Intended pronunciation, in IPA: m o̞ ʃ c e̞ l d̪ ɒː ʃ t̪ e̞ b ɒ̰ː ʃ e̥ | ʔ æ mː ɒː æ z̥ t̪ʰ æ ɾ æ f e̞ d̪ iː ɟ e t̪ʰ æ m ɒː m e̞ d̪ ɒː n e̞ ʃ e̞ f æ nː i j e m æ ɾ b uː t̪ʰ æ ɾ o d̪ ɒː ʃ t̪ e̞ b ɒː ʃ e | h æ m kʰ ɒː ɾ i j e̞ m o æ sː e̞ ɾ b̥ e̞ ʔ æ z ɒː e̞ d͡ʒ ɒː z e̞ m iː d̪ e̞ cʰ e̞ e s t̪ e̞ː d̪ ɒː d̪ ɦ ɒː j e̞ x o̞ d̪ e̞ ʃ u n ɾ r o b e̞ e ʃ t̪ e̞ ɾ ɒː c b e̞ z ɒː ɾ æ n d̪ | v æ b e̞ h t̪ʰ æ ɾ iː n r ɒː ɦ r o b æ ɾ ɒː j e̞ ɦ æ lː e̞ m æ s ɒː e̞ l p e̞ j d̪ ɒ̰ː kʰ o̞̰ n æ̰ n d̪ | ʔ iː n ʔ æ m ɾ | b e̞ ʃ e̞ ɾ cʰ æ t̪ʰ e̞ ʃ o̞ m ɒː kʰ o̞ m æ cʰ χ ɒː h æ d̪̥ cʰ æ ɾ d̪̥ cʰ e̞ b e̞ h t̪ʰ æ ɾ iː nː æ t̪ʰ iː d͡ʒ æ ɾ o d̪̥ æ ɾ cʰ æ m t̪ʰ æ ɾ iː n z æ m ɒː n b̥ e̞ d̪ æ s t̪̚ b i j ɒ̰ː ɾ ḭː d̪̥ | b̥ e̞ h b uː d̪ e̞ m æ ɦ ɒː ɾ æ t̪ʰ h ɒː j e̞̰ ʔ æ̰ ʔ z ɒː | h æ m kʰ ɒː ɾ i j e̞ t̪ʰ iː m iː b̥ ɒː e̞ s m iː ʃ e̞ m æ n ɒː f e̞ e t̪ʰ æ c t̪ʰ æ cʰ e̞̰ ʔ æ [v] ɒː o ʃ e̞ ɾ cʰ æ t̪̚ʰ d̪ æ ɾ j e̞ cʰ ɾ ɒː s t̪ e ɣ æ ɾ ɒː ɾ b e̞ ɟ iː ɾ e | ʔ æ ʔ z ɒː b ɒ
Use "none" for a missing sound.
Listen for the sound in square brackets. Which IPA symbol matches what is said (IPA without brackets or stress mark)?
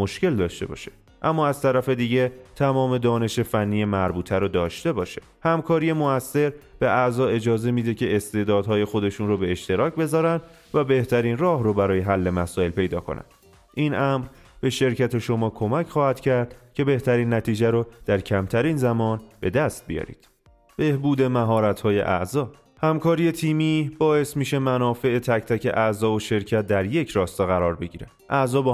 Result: z